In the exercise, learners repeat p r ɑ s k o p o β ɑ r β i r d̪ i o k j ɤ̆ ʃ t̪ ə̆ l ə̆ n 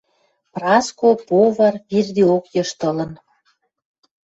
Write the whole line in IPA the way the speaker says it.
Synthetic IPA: p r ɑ s k o p o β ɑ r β i r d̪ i o k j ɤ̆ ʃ t̪ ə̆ l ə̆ n